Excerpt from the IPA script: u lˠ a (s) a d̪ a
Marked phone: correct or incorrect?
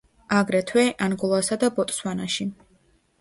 correct